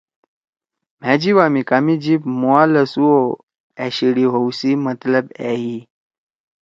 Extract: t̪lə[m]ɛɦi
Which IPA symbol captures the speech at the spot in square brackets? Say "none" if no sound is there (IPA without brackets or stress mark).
b